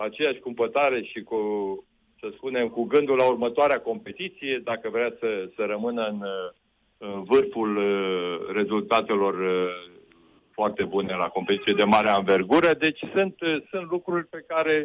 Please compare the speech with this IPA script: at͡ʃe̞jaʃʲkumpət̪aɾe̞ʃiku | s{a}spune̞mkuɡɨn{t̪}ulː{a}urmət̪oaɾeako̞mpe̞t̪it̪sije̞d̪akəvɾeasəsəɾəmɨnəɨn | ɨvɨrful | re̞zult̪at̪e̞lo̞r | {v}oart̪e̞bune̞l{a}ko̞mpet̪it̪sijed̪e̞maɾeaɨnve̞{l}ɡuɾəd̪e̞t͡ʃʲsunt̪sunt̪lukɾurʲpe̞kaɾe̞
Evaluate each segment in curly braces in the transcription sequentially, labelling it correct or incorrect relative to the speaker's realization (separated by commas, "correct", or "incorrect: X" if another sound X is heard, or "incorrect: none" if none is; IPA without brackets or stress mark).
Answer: incorrect: ə, incorrect: d̪, correct, incorrect: f, correct, incorrect: r